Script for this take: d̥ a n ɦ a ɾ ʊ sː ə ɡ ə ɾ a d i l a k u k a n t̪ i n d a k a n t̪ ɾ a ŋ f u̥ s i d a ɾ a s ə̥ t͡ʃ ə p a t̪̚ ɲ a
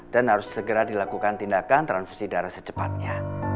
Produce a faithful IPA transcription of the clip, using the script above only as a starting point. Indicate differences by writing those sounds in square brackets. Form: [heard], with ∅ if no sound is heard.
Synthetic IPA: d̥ a n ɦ a ɾ ʊ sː ə ɡ ə ɾ a d i l a k u k a n t̪ i n d a k a n t̪ ɾ a [n] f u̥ s i d a ɾ a s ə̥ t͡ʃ ə p a t̪̚ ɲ a